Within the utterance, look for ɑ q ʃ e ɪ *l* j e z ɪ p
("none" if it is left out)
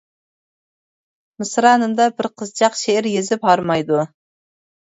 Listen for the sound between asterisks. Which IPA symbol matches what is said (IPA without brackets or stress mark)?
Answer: ɾ